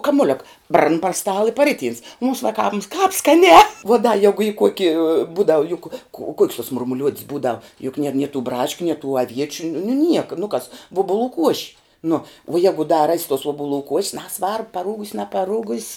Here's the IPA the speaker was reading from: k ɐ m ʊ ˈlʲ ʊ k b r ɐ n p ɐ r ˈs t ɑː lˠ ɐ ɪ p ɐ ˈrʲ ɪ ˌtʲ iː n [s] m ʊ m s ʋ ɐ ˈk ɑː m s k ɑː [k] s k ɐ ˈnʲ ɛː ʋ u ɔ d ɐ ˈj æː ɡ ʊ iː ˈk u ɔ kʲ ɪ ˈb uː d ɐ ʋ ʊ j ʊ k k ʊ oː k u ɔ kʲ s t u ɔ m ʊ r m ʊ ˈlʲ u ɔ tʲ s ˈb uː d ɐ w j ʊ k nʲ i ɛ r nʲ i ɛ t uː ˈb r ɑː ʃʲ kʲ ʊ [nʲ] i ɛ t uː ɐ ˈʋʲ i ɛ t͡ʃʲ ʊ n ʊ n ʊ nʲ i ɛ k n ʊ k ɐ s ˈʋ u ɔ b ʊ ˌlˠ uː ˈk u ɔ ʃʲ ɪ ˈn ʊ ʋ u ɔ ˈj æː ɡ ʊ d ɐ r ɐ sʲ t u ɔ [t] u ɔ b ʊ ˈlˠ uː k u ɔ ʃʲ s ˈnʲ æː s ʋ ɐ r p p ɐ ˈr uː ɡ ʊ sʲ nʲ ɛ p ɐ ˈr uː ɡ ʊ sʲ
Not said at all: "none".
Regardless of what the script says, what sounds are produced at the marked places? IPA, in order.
s, p, nʲ, s

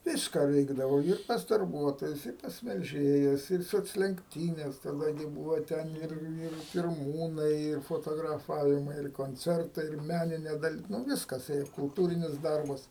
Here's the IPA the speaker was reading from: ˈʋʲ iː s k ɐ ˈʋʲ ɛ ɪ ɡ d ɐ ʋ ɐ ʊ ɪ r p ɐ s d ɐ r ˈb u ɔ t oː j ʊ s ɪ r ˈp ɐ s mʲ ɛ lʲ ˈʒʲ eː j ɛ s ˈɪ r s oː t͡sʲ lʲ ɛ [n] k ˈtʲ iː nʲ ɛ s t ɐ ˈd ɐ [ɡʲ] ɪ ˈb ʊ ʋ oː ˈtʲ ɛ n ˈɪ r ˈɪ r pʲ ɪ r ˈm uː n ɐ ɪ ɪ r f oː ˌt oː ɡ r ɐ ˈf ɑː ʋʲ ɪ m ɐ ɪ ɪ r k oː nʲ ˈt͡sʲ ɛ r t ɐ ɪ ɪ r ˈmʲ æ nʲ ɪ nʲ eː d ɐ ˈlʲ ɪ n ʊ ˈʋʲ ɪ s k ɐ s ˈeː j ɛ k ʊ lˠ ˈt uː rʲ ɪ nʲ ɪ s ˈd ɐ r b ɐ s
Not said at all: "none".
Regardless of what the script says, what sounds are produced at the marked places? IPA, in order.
ŋ, ɡʲ

